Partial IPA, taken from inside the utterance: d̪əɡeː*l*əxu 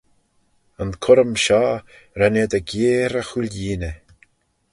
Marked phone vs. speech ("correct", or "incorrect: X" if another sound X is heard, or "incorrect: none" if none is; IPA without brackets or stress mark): incorrect: ɾ